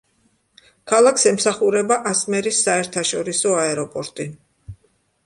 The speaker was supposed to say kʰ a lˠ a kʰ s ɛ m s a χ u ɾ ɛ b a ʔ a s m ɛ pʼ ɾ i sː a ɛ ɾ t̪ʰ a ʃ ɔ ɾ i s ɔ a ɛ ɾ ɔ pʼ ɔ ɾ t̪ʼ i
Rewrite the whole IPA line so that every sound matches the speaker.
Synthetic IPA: kʰ a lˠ a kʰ s ɛ m s a χ u ɾ ɛ b a ʔ a s m ɛ ɾ i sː a ɛ ɾ t̪ʰ a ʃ ɔ ɾ i s ɔ a ɛ ɾ ɔ pʼ ɔ ɾ t̪ʼ i